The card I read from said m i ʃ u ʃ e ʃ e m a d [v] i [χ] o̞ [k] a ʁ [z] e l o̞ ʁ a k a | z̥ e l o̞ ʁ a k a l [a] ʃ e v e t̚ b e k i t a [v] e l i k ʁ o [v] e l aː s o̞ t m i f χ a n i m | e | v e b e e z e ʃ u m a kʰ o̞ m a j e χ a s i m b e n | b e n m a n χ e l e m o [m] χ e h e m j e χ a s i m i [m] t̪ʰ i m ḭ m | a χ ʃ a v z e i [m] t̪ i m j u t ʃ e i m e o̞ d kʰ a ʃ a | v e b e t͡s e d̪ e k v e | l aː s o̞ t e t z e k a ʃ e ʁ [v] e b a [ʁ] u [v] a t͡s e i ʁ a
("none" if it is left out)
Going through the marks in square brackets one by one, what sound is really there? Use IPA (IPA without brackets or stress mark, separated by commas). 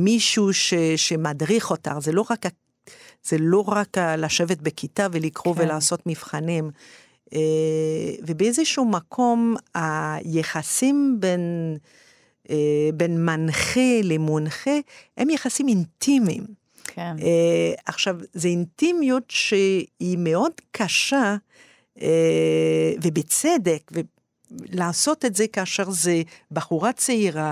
ʁ, χ, t, z, a, v, v, n, n, n, z, χ, ʁ